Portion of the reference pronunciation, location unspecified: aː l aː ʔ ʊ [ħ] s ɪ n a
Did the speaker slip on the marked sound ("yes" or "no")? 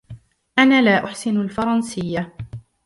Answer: no